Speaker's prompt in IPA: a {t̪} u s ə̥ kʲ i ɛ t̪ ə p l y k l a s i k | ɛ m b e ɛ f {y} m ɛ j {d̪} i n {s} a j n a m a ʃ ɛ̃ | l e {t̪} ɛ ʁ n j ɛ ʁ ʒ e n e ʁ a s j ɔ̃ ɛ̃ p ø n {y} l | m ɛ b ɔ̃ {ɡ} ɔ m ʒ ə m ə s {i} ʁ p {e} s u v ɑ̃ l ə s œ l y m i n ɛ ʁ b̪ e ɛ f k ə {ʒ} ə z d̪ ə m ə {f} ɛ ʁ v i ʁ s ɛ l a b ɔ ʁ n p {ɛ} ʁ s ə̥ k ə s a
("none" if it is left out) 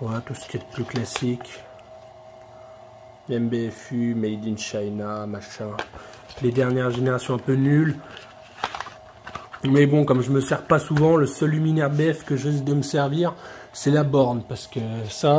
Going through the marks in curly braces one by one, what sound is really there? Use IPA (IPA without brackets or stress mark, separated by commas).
t̪, y, d̪, ʃ, d̪, y, k, ɛ, a, ʒ, s, a